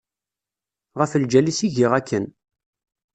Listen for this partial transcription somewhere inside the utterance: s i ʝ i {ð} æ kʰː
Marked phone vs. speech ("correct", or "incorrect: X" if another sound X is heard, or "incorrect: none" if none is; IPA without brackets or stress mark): incorrect: ʁ